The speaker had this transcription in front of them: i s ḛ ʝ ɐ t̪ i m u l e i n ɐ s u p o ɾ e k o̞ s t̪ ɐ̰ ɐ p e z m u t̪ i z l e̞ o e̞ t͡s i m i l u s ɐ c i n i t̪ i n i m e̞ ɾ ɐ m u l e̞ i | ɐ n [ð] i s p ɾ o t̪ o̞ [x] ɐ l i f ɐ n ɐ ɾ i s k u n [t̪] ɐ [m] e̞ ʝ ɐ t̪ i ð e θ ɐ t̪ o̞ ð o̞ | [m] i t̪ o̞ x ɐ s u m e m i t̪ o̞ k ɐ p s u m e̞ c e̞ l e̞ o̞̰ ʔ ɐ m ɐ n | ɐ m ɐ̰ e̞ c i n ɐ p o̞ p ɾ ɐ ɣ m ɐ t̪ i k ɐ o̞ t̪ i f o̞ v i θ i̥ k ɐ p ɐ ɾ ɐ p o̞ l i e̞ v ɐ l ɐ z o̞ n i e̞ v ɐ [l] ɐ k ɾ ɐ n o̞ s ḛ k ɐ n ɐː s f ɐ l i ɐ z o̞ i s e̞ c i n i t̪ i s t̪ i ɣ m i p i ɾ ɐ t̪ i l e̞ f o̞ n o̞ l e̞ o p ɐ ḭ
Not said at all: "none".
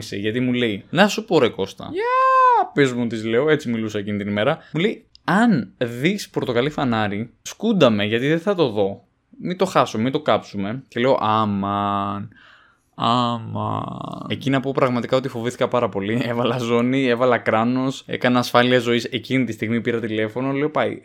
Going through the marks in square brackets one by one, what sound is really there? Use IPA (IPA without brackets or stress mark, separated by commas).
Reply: ð, k, d̪, m, m, l